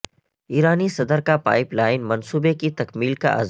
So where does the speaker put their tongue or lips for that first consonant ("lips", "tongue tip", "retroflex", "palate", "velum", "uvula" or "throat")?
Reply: tongue tip